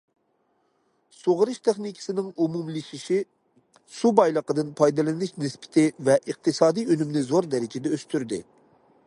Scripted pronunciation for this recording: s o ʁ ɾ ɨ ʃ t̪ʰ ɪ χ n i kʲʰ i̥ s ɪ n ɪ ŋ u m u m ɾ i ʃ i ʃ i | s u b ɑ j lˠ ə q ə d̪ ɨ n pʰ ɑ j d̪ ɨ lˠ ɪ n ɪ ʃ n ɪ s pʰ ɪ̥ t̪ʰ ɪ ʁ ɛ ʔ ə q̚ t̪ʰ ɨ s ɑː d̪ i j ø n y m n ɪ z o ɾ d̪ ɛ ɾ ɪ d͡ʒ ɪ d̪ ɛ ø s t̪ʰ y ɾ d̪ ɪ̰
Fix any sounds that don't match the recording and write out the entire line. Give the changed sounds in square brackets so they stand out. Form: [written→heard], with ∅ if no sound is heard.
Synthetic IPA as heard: s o ʁ ɾ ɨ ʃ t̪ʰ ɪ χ n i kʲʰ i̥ s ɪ n ɪ ŋ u m u m [ɾ→l] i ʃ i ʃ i | s u b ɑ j lˠ ə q ə d̪ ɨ n pʰ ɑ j d̪ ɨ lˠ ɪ n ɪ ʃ n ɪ s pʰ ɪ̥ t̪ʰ ɪ [ʁ→v] ɛ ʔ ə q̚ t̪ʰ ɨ s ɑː d̪ i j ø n y m n ɪ z o ɾ d̪ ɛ ɾ ɪ d͡ʒ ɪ d̪ ɛ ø s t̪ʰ y ɾ d̪ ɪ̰